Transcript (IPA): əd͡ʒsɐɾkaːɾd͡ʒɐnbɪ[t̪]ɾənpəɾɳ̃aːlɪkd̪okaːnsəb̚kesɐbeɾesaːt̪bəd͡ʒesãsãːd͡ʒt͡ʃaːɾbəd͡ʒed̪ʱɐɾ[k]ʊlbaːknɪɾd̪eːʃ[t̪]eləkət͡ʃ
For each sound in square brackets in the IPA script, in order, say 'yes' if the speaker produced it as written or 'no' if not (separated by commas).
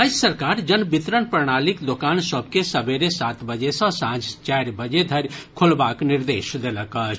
yes, no, no